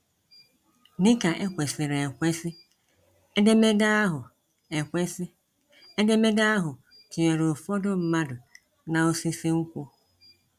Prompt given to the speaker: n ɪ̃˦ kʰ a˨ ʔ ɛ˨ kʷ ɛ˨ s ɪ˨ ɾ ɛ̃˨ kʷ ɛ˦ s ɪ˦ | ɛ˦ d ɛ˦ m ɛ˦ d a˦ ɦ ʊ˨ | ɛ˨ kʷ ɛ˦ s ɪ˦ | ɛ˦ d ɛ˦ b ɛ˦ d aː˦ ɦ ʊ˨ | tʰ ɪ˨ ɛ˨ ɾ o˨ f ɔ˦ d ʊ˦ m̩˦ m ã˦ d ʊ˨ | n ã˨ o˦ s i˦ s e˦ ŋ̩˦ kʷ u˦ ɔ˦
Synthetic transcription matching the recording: n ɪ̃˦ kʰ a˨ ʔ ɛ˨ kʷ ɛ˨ s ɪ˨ ɾ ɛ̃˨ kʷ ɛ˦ s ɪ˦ | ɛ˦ d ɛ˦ m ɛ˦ d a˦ ɦ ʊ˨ | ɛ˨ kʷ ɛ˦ s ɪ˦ | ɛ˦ d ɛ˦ m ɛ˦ d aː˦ ɦ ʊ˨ | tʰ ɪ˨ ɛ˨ ɾ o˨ f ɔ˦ d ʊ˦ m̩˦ m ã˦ d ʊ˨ | n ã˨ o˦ s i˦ s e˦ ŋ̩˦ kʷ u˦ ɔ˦